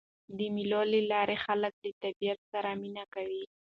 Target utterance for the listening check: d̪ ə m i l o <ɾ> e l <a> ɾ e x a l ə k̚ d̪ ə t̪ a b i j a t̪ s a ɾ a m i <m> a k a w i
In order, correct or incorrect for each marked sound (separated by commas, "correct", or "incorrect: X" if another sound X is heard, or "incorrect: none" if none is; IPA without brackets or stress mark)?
incorrect: l, incorrect: ɑ, incorrect: n